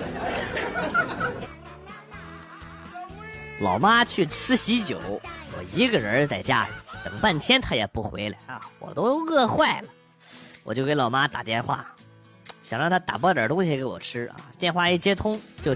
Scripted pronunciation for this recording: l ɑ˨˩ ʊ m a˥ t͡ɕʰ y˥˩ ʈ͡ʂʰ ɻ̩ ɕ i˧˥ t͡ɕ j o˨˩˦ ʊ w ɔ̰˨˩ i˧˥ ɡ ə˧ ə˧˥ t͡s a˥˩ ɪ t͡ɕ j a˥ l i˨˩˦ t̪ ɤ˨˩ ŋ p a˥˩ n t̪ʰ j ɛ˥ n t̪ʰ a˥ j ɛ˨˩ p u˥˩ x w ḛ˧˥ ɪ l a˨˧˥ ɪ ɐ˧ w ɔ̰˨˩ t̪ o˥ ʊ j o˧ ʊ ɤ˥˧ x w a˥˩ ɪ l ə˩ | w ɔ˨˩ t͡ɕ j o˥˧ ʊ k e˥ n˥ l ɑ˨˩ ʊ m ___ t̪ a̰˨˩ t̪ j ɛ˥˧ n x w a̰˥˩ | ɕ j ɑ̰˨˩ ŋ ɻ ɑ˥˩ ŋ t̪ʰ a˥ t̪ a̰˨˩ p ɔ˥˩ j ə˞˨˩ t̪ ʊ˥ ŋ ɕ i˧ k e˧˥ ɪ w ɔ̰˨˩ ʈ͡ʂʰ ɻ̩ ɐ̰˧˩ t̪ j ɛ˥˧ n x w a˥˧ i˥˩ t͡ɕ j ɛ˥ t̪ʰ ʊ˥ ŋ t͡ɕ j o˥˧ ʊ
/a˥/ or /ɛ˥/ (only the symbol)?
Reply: a˥